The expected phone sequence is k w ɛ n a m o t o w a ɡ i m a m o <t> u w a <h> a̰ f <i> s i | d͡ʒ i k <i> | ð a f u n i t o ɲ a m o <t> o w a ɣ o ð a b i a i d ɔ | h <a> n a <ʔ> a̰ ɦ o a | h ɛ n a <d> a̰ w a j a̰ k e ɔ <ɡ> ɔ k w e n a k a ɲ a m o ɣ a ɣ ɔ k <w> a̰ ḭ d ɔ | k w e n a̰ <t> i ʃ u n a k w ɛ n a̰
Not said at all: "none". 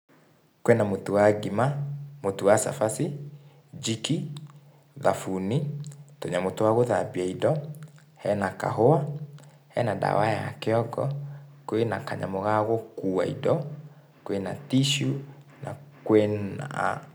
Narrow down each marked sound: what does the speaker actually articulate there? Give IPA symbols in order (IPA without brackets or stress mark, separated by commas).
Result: t, s, a, i, t, ɛ, k, d, ɡ, u, t